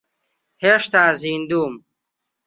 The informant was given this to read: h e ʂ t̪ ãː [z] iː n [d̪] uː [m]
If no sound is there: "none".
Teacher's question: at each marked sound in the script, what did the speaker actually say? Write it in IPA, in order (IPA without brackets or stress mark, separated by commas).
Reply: z, d̪, m